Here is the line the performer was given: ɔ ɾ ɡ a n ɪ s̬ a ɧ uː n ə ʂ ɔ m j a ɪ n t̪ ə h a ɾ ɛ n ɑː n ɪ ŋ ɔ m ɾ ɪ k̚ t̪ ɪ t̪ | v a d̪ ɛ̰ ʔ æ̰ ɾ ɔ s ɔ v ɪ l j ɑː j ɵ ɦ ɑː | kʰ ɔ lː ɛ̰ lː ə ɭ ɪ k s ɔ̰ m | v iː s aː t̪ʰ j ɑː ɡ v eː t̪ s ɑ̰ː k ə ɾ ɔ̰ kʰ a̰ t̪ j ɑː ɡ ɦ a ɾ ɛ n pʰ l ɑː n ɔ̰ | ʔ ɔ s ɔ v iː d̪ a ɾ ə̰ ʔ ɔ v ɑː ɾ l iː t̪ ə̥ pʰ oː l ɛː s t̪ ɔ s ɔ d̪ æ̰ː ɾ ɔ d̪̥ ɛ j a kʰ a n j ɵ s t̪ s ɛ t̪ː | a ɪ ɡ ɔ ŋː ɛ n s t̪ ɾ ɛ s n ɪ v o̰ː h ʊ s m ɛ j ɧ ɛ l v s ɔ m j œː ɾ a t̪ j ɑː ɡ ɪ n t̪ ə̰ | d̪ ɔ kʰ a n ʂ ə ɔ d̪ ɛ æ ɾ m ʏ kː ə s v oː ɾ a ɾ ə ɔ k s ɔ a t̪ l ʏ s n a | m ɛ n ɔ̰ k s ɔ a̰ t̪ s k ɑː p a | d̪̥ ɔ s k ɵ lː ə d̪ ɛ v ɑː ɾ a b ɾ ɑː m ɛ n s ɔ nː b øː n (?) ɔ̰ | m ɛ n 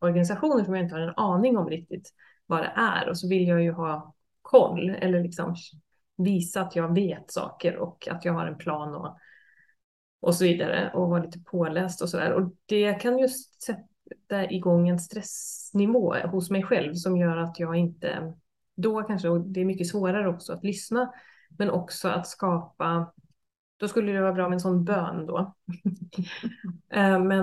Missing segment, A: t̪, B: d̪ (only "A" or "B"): B